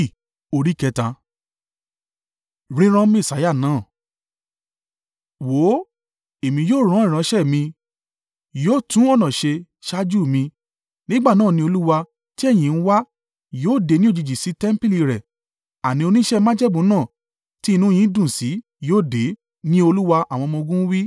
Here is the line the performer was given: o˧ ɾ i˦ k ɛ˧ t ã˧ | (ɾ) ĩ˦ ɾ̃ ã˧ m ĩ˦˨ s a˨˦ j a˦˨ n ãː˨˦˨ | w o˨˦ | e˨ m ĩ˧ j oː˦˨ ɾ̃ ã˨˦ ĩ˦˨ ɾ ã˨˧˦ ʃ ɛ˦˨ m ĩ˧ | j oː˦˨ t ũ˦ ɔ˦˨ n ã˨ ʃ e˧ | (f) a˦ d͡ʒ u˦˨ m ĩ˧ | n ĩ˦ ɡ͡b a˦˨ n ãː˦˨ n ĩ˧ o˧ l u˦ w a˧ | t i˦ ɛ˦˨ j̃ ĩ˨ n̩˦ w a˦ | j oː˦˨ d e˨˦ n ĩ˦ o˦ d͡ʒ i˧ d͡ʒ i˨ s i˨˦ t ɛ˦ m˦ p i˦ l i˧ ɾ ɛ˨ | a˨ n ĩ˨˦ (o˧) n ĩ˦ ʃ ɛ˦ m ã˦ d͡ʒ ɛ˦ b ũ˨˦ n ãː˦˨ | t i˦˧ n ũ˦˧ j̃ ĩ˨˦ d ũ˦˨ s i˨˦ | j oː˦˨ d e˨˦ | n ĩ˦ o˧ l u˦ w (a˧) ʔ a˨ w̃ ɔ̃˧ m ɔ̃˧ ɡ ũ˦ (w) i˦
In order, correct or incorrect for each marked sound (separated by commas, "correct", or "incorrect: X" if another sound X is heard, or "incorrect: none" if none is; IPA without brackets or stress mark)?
correct, incorrect: ʃ, correct, correct, correct